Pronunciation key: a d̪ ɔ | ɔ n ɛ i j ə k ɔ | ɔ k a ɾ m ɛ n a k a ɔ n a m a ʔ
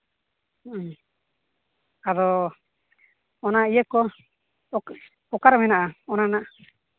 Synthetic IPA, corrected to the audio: a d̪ ɔ | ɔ n a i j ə k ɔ | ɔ k a ɾ m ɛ n a ʔ a ɔ n a n a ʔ